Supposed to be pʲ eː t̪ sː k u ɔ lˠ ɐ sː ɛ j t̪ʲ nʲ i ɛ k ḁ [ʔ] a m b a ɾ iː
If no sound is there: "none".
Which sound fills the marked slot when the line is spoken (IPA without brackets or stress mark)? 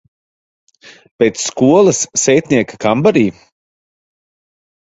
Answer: k